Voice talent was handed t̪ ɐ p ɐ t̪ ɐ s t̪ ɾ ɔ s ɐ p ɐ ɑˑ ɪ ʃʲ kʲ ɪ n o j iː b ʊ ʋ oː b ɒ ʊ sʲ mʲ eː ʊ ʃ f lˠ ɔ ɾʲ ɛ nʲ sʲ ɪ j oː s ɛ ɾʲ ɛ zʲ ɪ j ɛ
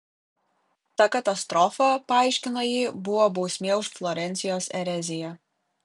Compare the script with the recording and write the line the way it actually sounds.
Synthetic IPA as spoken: t̪ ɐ k ɐ t̪ ɐ s t̪ ɾ ɔ f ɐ p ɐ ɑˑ ɪ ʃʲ kʲ ɪ n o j iː b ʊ ʋ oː b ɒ ʊ sʲ mʲ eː ʊ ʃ f lˠ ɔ ɾʲ ɛ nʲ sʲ ɪ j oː s ɛ ɾʲ ɛ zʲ ɪ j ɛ